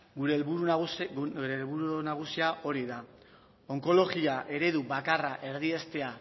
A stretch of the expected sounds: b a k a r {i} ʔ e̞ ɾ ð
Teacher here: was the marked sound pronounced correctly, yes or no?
no